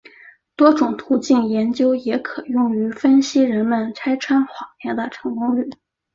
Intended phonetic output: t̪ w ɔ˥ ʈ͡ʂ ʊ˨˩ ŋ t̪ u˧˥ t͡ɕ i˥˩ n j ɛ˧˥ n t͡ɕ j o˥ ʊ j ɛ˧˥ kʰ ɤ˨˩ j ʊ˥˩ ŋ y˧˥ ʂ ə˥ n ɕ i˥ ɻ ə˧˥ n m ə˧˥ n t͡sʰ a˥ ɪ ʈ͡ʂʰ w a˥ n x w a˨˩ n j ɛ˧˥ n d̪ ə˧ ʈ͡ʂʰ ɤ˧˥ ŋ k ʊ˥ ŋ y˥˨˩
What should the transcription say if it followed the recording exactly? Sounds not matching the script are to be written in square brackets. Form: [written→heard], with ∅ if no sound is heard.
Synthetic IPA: t̪ w ɔ˥ ʈ͡ʂ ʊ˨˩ ŋ [t̪→t̪ʰ] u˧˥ t͡ɕ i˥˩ n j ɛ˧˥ n t͡ɕ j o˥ ʊ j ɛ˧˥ kʰ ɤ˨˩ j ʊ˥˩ ŋ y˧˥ [ʂ→f] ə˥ n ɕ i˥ ɻ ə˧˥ n m [ə˧˥→ə˧] n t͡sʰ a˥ ɪ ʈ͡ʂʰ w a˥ n x w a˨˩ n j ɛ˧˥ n d̪ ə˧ ʈ͡ʂʰ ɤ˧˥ ŋ k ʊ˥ ŋ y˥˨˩